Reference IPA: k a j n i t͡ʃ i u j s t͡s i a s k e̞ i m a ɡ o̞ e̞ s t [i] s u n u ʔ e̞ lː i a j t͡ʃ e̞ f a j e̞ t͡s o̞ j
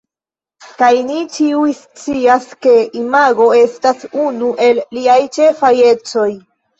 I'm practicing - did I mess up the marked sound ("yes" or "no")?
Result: yes